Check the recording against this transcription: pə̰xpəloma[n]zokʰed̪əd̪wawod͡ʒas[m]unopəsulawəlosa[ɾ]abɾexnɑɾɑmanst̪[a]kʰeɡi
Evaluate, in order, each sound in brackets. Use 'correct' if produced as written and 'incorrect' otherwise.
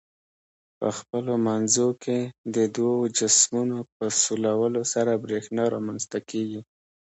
correct, correct, correct, correct

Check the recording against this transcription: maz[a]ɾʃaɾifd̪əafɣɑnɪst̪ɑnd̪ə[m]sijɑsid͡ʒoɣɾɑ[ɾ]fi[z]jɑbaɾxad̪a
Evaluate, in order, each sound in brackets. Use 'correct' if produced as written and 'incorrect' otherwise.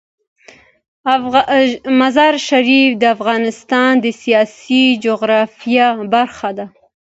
incorrect: ɑ, incorrect: none, incorrect: none, incorrect: none

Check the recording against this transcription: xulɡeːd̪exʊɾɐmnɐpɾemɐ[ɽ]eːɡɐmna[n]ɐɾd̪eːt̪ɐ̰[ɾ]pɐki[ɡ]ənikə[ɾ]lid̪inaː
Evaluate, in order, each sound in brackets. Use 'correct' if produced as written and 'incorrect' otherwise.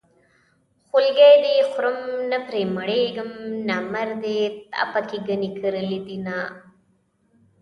correct, incorrect: m, incorrect: none, correct, correct

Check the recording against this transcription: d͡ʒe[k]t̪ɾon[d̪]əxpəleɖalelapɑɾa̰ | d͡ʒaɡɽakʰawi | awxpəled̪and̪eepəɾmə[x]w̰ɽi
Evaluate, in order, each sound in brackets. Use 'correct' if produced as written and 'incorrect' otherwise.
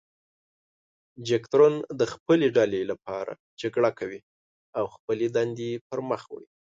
correct, correct, correct

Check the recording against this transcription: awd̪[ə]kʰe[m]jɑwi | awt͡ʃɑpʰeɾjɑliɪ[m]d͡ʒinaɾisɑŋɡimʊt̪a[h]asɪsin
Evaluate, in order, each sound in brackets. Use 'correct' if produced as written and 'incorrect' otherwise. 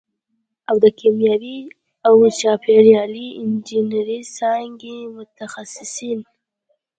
correct, correct, incorrect: n, incorrect: x

